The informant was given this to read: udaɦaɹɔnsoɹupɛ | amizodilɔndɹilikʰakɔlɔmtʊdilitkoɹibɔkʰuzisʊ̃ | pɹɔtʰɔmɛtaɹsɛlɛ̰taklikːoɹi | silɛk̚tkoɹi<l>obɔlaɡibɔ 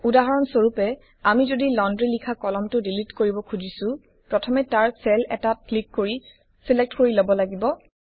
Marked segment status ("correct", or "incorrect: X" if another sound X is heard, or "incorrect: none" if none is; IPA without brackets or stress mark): correct